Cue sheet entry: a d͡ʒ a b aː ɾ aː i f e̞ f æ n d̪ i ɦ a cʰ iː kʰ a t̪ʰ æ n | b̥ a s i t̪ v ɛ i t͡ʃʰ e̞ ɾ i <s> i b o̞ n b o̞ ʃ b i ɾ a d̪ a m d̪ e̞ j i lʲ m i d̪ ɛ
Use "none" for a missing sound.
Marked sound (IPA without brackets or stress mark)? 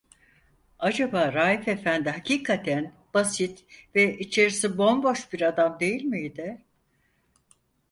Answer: s